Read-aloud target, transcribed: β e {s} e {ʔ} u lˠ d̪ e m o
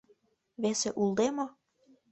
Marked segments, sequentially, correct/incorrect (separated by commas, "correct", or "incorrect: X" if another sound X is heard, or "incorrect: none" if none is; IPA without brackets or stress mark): correct, correct